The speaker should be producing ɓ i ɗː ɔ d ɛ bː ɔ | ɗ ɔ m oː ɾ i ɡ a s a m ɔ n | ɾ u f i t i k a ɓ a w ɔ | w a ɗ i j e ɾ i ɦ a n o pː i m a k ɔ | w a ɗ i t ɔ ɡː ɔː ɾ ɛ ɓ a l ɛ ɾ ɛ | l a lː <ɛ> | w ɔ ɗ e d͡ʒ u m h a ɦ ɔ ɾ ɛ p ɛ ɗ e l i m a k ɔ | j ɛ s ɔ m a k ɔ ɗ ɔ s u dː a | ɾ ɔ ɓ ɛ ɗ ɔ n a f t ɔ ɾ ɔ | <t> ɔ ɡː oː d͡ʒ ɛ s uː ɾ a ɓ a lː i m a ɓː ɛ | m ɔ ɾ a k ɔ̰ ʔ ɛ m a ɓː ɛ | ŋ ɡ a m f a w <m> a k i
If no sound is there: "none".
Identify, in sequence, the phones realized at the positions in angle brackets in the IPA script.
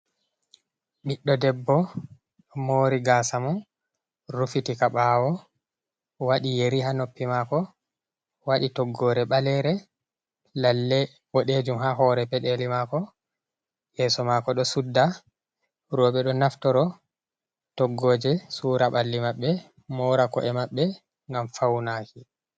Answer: ɛ, t, n

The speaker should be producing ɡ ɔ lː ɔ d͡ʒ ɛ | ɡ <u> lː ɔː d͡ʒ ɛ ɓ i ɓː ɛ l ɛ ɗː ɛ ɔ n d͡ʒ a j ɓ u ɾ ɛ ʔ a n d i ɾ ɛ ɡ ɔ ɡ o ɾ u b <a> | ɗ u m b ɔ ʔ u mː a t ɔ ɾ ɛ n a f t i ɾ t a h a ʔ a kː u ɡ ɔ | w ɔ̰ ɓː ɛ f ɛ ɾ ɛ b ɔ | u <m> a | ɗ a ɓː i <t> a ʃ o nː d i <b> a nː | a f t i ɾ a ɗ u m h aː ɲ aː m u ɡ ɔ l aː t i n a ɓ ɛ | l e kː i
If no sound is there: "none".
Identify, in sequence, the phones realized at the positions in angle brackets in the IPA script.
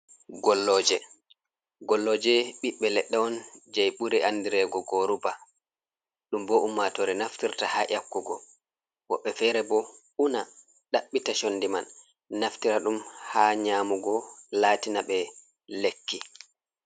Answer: ɔ, a, n, t, m

